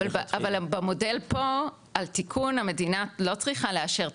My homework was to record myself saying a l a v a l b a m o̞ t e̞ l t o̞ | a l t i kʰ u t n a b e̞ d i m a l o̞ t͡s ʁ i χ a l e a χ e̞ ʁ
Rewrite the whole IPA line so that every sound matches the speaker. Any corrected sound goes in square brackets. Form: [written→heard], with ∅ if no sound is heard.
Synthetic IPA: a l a v a l b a m o̞ [t→d] e̞ l [t→p] o̞ | a l t i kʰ u [t→∅] n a [b→m] e̞ d i [m→n] a l o̞ t͡s ʁ i χ a l e a [χ→ʃ] e̞ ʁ